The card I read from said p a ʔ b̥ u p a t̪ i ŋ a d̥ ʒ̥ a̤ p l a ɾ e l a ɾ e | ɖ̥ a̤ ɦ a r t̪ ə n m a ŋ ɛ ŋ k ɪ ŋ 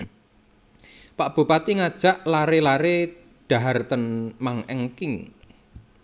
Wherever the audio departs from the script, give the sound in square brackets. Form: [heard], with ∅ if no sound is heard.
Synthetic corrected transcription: p a ʔ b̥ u p a t̪ i ŋ a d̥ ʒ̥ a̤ [ʔ] l a ɾ e l a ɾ e | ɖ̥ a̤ ɦ a r t̪ ə n m a ŋ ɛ ŋ k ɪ ŋ

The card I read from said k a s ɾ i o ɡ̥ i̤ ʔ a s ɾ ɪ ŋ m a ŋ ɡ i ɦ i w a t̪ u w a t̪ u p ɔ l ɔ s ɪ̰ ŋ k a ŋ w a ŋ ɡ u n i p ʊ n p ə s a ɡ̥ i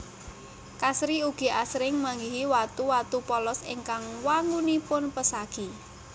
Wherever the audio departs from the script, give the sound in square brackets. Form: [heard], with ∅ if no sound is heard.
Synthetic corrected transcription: k a s ɾ i [u] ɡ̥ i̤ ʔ a s ɾ ɪ ŋ m a ŋ ɡ i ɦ i w a t̪ u w a t̪ u p ɔ l ɔ s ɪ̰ ŋ k a ŋ w a ŋ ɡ u n i p ʊ n p ə s a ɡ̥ i

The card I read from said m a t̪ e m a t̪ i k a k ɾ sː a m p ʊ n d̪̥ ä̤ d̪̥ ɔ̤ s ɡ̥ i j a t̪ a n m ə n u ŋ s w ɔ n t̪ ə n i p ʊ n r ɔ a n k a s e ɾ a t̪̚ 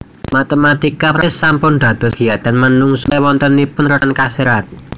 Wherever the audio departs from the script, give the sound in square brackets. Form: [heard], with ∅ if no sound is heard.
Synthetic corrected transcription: m a t̪ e m a t̪ i k a [p] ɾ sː a m p ʊ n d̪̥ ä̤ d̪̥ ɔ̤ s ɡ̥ i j a t̪ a n m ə n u ŋ s w ɔ n t̪ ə n i p ʊ n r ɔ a n k a s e ɾ a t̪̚

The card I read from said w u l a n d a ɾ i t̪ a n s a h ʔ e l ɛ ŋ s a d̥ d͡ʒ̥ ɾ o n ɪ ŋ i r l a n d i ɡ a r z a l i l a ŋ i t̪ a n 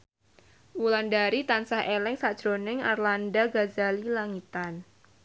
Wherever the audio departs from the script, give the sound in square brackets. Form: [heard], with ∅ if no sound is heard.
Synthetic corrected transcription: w u l a n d a ɾ i t̪ a n s a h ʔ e l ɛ ŋ s a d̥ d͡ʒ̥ ɾ o n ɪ ŋ [a] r l a n d [a] ɡ a [∅] z a l i l a ŋ i t̪ a n

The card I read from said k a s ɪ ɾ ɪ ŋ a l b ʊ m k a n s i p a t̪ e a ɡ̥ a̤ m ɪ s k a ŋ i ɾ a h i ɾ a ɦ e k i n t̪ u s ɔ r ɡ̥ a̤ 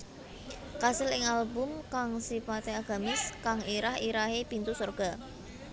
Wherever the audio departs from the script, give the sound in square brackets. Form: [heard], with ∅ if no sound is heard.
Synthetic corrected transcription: k a s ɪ [l] ɪ ŋ a l b ʊ m k a [ŋ] s i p a t̪ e a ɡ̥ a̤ m ɪ s k a ŋ i ɾ a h i ɾ a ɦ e [p] i n t̪ u s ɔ r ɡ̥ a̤

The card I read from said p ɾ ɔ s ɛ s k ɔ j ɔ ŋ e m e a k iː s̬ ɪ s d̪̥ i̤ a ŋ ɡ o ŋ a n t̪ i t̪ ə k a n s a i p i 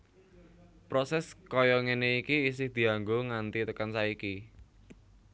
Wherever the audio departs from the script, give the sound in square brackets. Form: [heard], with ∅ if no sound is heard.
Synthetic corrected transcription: p ɾ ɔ s ɛ s k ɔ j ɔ ŋ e [n] e [i] k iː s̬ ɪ [h] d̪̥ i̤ a ŋ ɡ o ŋ a n t̪ i t̪ ə k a n s a i [k] i

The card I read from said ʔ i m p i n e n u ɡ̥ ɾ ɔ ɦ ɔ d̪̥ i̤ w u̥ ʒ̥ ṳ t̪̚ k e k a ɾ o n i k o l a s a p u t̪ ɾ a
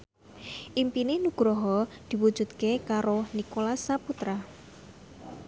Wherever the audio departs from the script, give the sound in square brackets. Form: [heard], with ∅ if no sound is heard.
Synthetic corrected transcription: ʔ i m p i n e n u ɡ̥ ɾ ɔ ɦ ɔ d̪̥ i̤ w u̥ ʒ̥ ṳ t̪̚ k e k a ɾ o n i k o l a s a p u t̪ ɾ a

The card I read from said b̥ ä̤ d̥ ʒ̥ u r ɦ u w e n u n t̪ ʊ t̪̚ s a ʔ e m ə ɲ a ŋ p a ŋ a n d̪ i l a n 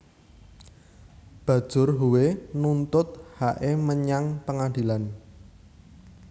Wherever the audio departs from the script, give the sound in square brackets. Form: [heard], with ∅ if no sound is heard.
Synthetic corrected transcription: b̥ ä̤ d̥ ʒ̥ [ʊ] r ɦ u w e n u n t̪ ʊ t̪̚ [h] a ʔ e m ə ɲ a ŋ p [ə] ŋ a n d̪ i l a n

